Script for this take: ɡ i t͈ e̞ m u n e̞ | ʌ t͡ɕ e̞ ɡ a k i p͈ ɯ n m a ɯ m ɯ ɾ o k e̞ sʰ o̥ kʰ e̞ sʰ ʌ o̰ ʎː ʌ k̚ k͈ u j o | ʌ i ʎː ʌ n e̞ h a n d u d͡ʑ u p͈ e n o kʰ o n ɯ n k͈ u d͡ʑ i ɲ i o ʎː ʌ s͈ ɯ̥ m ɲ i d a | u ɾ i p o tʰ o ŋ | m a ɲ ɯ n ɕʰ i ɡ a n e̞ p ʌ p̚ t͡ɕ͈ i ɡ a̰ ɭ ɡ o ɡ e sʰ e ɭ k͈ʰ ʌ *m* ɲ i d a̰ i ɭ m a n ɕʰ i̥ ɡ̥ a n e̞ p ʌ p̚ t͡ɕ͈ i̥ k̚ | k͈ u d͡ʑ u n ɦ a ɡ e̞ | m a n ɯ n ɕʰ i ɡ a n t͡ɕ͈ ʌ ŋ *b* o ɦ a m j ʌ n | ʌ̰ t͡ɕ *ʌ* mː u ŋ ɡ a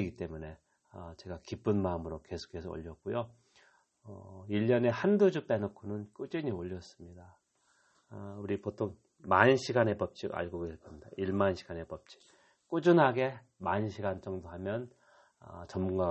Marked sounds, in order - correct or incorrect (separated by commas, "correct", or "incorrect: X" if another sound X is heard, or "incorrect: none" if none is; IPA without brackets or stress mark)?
correct, incorrect: d, correct